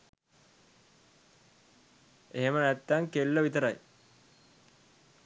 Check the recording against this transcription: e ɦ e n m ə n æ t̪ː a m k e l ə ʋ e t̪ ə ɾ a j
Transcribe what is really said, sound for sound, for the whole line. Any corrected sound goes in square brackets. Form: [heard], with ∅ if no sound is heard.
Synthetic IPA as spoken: e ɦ e [∅] m ə n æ t̪ː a [ŋ] k e [lː] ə ʋ [i] t̪ ə ɾ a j